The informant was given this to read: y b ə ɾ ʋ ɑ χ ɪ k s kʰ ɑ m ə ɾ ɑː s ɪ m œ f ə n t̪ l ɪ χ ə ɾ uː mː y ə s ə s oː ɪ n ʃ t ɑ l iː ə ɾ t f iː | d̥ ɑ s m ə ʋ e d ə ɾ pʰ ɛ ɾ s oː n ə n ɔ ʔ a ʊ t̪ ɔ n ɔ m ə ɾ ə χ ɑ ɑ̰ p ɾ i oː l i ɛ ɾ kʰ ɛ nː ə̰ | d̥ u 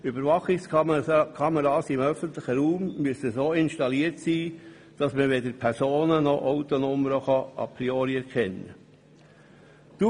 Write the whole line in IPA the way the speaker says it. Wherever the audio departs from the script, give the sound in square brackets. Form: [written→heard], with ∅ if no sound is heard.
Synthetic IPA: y b ə ɾ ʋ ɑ χ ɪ k s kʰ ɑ m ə ɾ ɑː s ɪ m œ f ə n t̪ l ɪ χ ə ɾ uː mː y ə s ə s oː ɪ n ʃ t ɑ l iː ə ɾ t [f→s] iː | d̥ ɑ s m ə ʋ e d ə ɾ pʰ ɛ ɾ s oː n ə n ɔ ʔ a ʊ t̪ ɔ n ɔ m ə ɾ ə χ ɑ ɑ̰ p ɾ i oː [l→ɾ] i ɛ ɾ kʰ ɛ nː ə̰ | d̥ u